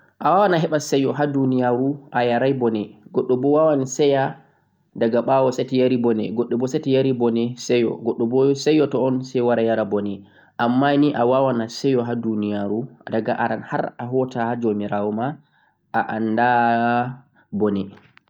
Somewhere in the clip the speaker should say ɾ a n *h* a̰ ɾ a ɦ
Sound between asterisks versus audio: correct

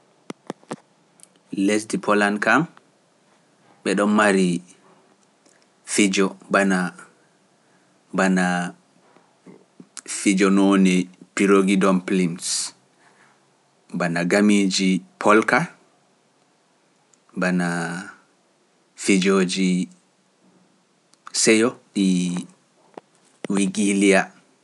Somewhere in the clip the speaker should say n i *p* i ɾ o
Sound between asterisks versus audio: correct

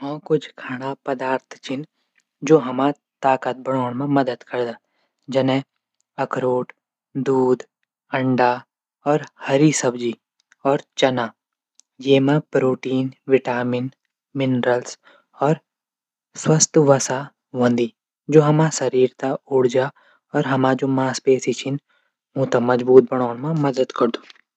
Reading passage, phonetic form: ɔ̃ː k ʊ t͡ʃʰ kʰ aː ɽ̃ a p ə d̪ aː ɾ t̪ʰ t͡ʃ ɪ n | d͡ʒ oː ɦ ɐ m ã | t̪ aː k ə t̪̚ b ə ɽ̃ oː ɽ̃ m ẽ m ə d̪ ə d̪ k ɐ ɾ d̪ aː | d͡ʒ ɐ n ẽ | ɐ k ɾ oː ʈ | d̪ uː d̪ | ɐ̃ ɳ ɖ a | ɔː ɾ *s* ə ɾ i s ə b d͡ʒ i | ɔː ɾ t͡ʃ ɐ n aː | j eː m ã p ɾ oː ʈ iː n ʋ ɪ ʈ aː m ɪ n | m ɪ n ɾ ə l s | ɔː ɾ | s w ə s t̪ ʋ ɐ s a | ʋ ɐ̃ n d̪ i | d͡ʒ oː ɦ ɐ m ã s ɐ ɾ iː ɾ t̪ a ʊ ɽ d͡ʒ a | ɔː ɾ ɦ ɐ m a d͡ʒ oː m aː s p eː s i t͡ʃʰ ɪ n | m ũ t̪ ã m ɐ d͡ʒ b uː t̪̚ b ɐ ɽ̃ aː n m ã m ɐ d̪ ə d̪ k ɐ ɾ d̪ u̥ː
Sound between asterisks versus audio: incorrect: h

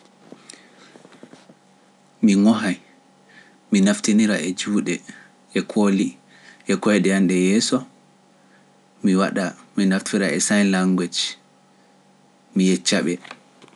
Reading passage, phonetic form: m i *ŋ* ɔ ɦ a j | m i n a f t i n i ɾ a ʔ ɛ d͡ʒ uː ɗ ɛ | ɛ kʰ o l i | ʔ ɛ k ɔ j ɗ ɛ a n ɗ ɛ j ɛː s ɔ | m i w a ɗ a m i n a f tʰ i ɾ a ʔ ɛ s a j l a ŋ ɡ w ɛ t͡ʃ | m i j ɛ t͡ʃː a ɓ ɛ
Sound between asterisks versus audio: correct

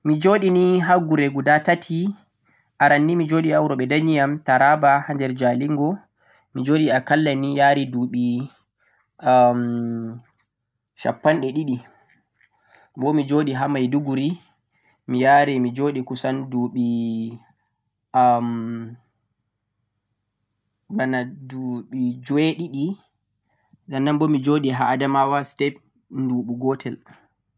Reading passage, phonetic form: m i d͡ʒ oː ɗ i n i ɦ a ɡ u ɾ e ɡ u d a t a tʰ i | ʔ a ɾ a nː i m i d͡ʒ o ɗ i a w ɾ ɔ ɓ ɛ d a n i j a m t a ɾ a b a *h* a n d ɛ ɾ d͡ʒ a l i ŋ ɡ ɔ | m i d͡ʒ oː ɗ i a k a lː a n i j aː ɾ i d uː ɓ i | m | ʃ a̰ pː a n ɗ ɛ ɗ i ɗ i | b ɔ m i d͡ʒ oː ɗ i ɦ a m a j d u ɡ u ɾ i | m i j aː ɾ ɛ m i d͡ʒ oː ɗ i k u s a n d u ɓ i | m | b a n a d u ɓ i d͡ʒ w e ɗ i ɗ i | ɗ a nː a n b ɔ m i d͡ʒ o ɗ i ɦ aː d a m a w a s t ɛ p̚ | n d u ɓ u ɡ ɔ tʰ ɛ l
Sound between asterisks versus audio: correct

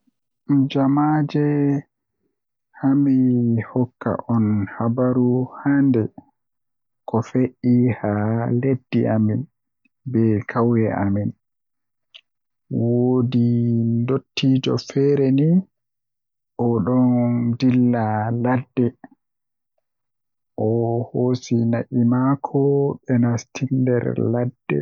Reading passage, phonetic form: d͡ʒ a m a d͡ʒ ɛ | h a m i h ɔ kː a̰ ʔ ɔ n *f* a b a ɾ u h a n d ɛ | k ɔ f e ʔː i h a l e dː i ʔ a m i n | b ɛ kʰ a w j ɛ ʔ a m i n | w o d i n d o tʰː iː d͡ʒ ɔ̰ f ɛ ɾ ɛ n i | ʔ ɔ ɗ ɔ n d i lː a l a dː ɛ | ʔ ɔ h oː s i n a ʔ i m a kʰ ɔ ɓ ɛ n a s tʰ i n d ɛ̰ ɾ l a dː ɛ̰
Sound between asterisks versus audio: incorrect: h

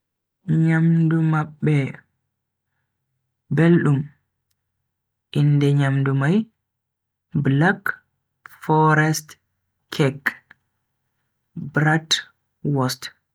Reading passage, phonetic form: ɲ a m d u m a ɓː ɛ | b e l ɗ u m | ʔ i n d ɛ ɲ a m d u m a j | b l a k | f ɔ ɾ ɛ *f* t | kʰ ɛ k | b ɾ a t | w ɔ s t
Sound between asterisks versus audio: incorrect: s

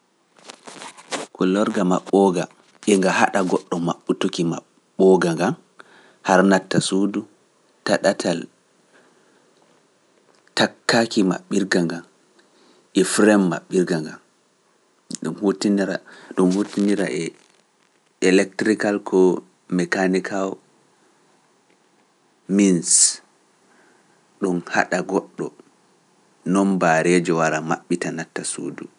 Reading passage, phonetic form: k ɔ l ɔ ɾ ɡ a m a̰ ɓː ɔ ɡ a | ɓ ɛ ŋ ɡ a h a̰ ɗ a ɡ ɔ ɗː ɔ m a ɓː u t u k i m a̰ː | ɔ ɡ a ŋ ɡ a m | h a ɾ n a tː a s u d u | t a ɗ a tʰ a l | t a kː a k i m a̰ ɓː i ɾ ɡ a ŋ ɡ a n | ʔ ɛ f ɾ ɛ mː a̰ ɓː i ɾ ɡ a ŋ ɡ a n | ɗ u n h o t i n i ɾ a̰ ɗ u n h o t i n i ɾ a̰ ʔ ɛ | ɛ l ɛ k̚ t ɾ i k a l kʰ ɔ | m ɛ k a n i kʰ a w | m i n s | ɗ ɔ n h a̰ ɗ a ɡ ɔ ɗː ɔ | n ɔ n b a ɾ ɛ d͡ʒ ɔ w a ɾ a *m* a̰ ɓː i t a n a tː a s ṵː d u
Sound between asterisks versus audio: correct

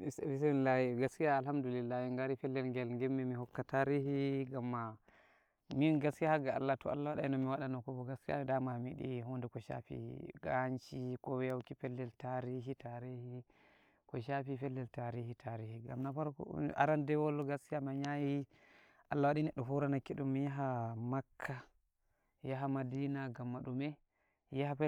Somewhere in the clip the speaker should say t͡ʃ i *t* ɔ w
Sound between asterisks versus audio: incorrect: k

